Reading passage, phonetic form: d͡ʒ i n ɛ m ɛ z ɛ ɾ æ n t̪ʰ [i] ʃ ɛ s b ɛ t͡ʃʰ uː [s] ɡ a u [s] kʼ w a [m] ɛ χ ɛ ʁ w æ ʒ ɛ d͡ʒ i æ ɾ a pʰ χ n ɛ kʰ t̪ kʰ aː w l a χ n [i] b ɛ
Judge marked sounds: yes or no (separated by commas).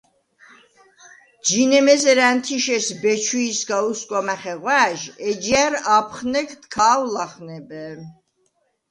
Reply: yes, yes, yes, yes, no